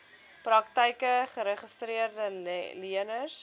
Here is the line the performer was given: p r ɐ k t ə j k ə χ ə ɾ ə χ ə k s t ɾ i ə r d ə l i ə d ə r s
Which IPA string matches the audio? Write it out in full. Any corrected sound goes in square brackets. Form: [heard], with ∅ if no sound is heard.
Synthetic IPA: p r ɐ k t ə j k ə χ ə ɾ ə χ ə [∅] s t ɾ i ə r d ə l i ə [n] ə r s